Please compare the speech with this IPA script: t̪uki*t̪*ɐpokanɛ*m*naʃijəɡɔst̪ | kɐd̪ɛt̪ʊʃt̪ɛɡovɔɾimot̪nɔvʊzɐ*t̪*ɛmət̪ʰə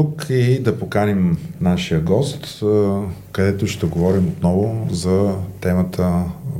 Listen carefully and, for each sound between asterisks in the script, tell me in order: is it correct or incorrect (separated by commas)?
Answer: incorrect, correct, correct